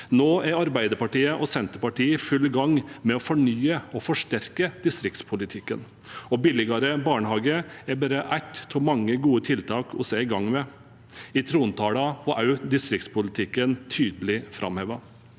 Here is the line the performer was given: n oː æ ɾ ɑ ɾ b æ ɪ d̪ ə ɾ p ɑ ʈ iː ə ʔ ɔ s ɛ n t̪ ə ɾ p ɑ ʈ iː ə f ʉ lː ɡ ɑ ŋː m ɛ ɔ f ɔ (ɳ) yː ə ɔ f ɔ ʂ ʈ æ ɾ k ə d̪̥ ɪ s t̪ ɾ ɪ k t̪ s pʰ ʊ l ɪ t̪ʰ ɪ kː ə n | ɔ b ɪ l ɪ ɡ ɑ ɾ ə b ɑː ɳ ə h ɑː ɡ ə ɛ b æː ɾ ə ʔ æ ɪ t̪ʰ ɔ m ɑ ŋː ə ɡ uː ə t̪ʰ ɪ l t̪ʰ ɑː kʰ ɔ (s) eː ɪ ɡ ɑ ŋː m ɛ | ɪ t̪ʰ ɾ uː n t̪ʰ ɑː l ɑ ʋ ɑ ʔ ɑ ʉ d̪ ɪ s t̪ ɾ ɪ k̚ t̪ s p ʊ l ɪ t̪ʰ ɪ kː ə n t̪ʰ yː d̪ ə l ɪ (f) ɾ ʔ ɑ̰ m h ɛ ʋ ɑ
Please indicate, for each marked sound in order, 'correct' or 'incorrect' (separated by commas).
correct, correct, correct